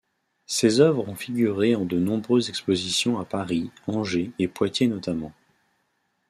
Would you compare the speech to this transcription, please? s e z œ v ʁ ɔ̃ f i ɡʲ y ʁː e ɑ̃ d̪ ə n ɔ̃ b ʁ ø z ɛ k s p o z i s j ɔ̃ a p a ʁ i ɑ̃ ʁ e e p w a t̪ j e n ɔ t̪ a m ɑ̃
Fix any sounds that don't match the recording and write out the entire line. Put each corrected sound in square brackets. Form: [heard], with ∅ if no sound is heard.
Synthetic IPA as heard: s e z œ v ʁ ɔ̃ f i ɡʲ y [ʁ] e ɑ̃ d̪ ə n ɔ̃ b ʁ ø z ɛ k s p o z i s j ɔ̃ a p a ʁ i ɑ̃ [ʒ] e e p w a t̪ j e n ɔ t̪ a m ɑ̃